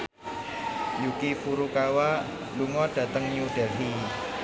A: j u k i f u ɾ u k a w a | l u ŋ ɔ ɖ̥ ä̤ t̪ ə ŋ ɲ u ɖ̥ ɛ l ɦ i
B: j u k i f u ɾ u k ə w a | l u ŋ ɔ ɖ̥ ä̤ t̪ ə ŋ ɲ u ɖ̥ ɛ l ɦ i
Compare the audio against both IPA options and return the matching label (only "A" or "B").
A